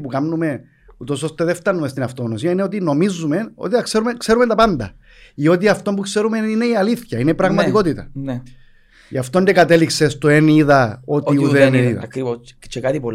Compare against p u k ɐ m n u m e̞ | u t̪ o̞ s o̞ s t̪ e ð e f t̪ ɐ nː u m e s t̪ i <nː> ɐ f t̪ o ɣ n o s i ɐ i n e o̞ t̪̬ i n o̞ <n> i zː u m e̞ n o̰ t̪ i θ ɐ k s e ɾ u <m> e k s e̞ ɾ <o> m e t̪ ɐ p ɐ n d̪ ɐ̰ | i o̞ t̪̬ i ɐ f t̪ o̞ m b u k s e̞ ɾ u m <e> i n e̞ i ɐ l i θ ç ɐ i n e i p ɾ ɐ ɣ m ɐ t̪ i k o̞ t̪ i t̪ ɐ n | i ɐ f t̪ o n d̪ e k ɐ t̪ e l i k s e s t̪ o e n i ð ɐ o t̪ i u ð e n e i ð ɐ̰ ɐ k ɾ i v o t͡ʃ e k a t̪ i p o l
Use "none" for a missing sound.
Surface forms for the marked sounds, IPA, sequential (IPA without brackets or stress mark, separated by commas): n, m, m, u, e